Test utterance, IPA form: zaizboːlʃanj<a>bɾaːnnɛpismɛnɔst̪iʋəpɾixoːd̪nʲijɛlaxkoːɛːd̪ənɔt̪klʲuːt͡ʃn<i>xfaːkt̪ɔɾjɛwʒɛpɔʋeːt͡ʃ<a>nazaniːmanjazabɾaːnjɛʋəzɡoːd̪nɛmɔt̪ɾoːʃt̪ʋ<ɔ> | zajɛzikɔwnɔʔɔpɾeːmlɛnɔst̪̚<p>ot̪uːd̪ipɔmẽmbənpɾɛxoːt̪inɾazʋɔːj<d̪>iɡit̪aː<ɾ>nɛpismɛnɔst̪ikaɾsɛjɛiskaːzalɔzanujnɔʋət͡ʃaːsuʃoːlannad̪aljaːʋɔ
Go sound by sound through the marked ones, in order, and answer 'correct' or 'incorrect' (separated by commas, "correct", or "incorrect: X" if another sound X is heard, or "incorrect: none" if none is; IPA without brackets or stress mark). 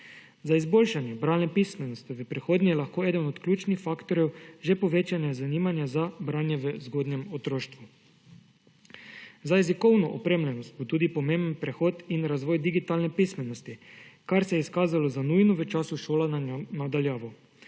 incorrect: ɛ, correct, correct, incorrect: u, incorrect: b, correct, incorrect: l